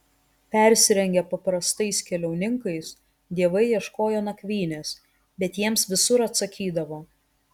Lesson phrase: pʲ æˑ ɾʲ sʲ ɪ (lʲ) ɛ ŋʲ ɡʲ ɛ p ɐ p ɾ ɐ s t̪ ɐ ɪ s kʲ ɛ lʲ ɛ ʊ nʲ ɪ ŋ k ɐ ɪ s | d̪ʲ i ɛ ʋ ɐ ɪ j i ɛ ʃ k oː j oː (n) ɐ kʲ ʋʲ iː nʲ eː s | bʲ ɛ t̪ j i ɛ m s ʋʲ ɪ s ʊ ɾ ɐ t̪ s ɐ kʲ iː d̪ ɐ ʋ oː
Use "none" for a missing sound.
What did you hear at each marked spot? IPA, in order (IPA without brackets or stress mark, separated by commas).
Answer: ɾʲ, n